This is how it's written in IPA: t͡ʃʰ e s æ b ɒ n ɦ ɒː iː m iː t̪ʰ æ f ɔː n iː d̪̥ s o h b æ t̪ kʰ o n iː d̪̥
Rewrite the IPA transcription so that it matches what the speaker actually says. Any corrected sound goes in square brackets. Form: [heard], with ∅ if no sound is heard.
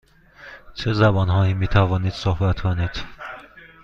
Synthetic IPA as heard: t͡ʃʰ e [z] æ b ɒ n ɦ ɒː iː m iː t̪ʰ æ [v] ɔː n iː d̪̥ s o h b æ t̪ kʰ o n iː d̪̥